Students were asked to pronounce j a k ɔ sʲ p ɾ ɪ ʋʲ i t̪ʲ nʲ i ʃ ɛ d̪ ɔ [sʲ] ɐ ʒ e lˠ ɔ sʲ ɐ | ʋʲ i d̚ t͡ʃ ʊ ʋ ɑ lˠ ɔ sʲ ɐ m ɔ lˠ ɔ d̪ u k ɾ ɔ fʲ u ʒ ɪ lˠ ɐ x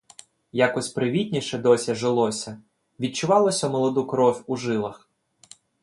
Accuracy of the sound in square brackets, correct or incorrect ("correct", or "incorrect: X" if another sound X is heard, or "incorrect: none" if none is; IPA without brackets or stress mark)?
correct